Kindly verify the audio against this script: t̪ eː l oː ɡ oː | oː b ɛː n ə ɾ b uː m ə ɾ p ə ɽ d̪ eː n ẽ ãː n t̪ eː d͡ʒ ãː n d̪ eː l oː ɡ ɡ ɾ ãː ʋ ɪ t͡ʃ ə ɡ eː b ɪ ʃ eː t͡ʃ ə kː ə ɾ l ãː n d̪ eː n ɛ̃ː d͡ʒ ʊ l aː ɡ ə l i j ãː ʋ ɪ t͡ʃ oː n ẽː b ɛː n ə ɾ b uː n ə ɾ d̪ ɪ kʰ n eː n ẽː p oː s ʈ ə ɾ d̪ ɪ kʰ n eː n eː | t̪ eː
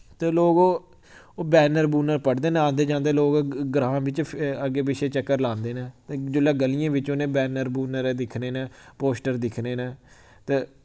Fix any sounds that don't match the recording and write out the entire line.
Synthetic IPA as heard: t̪ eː l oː ɡ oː | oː b ɛː n ə ɾ b uː n ə ɾ p ə ɽ d̪ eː n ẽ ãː n d̪ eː d͡ʒ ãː n d̪ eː l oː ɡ ɡ ɾ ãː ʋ ɪ t͡ʃ ə ɡ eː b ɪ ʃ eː t͡ʃ ə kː ə ɾ l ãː n d̪ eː n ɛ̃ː d͡ʒ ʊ l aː ɡ ə l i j ãː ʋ ɪ t͡ʃ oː n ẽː b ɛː n ə ɾ b uː n ə ɾ d̪ ɪ kʰ n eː n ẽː p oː s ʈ ə ɾ d̪ ɪ kʰ n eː n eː | t̪ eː